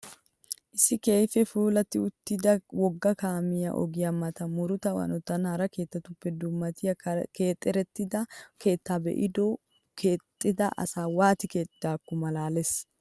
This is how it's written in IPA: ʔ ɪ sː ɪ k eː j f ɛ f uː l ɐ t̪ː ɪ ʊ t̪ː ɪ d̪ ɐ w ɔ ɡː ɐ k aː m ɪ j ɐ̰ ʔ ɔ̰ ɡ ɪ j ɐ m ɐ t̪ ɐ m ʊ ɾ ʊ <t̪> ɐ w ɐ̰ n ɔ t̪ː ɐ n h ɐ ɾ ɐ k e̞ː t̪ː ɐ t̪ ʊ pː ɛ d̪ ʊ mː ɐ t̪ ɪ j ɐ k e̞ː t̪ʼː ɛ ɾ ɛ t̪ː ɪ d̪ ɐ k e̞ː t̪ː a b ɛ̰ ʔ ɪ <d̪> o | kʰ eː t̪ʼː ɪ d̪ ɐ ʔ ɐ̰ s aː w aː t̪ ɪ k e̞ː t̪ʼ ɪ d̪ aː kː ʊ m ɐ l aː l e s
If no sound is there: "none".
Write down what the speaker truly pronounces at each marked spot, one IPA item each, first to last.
t̪, d̪

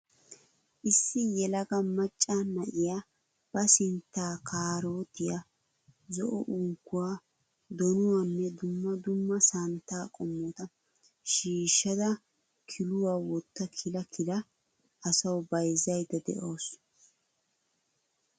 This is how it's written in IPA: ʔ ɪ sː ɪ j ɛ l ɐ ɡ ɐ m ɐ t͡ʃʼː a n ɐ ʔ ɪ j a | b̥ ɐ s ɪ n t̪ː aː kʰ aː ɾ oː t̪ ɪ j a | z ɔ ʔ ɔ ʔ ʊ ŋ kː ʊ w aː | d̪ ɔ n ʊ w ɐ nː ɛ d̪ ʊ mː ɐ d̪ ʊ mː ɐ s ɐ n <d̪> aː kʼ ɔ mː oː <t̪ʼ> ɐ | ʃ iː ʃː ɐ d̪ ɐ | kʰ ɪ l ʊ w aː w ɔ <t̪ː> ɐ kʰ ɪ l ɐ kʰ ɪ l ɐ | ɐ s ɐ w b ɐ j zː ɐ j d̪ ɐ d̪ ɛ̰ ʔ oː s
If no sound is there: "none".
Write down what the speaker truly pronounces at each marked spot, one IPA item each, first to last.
t̪, t̪, t̪ː

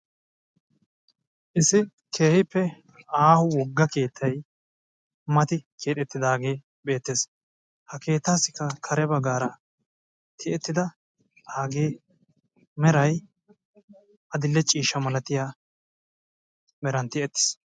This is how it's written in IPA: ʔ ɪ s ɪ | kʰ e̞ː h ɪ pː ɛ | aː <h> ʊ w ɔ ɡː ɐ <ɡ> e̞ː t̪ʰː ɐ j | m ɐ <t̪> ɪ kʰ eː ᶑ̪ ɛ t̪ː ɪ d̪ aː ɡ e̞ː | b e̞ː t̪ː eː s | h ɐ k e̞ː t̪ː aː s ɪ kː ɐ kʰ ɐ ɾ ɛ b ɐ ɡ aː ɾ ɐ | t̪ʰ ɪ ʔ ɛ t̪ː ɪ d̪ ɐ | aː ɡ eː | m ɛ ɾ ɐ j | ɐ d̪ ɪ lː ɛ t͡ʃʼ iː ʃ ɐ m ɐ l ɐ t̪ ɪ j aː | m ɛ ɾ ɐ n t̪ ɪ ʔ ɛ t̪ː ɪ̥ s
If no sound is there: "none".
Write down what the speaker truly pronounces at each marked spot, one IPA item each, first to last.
h, k, t̪

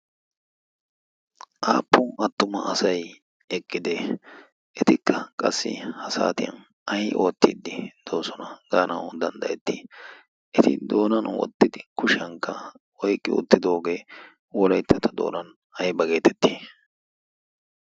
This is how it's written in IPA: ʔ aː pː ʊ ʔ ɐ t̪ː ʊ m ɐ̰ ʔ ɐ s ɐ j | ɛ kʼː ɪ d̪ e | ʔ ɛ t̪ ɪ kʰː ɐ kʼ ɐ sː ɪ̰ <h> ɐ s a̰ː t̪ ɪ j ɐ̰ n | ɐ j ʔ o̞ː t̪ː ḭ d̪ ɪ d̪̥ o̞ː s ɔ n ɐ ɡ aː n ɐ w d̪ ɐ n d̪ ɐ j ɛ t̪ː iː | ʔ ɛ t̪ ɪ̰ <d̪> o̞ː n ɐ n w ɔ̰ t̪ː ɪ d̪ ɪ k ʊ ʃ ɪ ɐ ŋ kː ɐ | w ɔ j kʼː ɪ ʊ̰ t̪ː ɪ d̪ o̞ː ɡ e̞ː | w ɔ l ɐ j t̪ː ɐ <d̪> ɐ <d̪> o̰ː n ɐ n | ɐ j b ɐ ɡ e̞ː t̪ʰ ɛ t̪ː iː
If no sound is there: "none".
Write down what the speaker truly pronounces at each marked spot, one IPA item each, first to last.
h, d̪, t̪, d̪

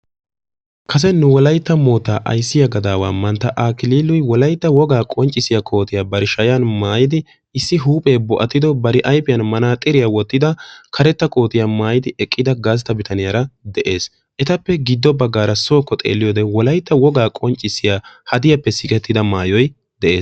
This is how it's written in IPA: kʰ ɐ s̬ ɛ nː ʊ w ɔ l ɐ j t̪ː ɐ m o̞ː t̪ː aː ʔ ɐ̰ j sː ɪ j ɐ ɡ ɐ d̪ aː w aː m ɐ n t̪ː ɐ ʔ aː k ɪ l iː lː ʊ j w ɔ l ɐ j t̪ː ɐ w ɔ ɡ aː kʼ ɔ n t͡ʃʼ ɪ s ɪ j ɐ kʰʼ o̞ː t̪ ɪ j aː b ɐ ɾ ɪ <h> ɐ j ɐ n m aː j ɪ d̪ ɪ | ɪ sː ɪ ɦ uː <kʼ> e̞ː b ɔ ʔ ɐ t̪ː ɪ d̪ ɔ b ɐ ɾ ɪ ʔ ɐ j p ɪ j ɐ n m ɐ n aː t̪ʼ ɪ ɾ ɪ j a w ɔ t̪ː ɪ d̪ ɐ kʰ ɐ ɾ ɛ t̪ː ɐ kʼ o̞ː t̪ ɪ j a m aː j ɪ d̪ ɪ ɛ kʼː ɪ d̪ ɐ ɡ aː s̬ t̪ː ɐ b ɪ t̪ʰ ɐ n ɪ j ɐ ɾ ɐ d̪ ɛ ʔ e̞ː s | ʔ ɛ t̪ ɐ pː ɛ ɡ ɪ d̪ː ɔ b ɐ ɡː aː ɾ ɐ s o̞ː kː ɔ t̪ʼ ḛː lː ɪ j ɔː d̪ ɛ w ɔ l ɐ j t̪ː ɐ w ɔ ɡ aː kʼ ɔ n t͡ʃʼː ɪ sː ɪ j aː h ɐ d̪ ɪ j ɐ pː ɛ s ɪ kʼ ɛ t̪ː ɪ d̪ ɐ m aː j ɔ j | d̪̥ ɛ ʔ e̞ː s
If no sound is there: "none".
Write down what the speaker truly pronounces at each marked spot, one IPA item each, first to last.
ʃ, pʼ

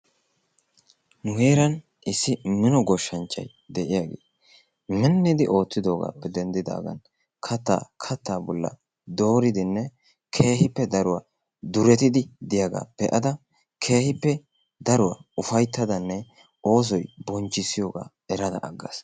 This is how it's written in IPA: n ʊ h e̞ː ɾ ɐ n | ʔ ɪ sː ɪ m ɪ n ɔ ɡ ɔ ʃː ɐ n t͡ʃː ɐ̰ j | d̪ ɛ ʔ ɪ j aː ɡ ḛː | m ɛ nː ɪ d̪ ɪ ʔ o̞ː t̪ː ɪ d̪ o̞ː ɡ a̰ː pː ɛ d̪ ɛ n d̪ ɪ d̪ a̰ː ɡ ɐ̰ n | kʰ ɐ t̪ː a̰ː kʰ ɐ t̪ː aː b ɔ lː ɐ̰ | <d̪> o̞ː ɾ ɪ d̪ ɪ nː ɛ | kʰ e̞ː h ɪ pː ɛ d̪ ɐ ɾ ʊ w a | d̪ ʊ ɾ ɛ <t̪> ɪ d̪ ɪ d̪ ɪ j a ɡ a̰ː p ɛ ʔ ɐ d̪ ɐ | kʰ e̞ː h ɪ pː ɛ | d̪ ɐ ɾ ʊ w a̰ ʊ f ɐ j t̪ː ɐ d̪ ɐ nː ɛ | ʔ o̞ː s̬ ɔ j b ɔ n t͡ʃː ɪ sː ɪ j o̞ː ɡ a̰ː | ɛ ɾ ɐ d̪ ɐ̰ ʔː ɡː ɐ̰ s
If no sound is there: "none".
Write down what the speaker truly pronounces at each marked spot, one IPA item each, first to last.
d̪, t̪

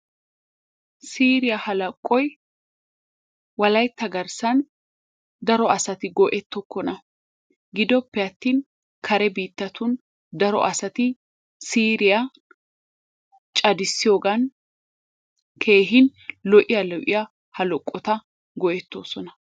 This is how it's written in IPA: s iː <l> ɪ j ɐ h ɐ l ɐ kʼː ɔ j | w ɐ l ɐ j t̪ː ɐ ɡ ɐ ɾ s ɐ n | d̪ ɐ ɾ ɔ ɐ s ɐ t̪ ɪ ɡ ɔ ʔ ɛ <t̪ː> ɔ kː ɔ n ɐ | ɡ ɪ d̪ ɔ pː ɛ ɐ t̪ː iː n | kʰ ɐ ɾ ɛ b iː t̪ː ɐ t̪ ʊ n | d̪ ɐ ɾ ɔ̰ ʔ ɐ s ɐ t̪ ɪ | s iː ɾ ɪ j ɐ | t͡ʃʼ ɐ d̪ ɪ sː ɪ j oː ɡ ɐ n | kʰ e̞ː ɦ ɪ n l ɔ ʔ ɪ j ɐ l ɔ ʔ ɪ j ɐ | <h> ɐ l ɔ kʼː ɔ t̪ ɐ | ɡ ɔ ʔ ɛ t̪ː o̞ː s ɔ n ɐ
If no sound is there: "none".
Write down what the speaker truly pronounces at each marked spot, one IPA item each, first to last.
ɾ, t̪ː, h

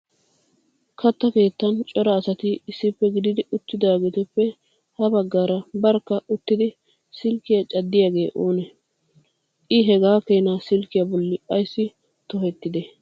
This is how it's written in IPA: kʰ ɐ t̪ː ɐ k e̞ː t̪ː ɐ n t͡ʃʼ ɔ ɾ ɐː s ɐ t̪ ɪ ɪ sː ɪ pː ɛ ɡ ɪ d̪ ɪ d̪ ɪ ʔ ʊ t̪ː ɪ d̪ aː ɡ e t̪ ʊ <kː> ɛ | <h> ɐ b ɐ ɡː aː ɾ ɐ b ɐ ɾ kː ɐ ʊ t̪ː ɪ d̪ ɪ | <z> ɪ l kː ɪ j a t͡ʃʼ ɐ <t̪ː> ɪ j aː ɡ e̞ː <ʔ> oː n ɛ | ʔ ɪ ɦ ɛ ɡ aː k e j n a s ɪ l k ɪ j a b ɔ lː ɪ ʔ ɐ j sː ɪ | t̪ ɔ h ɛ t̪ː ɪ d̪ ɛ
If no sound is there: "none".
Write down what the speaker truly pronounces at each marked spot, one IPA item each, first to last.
pː, h, s, d̪ː, ʔ

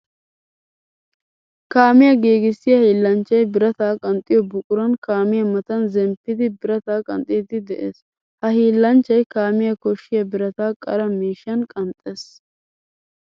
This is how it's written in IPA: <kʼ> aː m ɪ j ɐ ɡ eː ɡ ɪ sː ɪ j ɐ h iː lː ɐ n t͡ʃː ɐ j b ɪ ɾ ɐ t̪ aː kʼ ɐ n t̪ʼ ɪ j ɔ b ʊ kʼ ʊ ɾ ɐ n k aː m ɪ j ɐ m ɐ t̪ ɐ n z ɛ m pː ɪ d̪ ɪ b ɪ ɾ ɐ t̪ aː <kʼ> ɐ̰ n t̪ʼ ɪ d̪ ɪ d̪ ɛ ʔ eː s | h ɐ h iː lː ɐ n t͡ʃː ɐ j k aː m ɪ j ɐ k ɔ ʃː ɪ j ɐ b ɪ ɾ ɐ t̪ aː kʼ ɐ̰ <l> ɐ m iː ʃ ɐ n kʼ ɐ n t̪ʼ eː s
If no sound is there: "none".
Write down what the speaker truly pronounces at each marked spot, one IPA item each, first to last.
k, kʼ, ɾ

